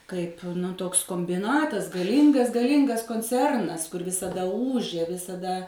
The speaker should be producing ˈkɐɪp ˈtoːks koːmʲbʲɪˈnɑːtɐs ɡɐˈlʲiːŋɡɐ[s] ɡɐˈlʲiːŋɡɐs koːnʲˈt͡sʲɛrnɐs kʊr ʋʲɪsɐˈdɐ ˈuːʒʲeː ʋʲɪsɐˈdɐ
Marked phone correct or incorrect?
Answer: correct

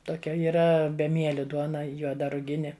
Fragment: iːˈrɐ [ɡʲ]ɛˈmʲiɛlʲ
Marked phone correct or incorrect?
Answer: incorrect: bʲ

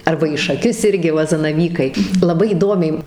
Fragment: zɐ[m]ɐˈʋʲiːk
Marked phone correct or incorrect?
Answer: incorrect: n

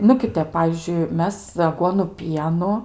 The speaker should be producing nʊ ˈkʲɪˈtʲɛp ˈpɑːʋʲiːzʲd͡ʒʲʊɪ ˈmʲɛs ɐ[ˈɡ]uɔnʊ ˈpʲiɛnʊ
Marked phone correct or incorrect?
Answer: correct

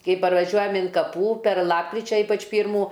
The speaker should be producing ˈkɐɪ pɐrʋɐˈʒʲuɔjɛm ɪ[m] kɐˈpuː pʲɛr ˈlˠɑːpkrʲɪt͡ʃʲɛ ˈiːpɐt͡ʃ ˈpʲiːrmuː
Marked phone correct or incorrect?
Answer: incorrect: n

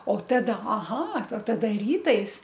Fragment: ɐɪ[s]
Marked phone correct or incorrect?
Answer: correct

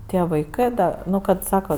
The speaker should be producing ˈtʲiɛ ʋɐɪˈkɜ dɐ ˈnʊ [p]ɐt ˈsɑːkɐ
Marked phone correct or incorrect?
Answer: incorrect: k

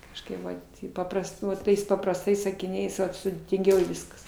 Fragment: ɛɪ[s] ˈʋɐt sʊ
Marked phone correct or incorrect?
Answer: correct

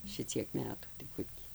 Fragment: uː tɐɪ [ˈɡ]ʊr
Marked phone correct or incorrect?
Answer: incorrect: k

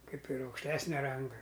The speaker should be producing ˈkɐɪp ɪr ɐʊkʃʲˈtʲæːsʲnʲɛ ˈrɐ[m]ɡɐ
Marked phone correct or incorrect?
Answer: incorrect: ŋ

